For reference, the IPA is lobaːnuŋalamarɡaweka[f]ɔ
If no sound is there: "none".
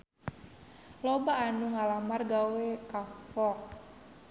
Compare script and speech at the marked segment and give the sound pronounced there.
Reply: f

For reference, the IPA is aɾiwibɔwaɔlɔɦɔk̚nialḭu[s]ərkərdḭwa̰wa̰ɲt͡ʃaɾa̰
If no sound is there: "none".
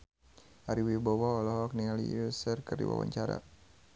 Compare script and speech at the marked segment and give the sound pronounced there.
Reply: s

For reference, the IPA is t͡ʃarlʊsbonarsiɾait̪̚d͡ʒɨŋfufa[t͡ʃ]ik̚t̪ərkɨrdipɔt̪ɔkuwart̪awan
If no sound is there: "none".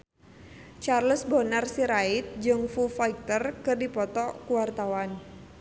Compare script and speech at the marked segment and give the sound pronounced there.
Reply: none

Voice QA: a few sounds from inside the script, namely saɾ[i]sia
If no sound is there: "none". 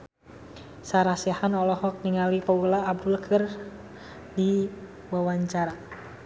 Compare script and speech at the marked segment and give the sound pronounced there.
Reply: a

